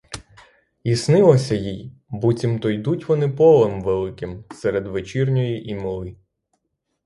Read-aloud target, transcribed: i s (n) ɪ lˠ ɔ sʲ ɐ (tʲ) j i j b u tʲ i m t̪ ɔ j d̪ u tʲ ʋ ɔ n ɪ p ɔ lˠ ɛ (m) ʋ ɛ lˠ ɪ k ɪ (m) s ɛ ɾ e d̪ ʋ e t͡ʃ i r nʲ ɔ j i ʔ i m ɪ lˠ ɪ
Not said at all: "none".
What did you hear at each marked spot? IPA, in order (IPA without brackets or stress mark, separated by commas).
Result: n, none, m, m